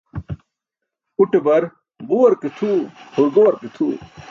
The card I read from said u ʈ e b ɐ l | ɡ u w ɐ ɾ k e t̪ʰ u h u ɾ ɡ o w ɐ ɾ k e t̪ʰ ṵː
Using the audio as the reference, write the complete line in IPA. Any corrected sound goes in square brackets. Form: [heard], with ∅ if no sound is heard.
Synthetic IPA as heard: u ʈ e b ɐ [ɾ] | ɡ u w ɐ ɾ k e t̪ʰ u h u ɾ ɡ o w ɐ ɾ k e t̪ʰ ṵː